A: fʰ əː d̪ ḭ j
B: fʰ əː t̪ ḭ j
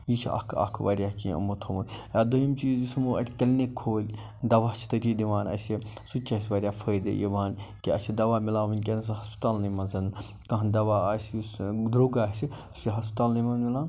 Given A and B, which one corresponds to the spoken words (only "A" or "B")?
A